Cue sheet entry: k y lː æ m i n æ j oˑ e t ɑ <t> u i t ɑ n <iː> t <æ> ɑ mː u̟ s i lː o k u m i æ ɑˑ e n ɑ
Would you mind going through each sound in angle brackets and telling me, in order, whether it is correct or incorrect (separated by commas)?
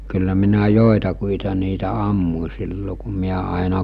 incorrect, correct, correct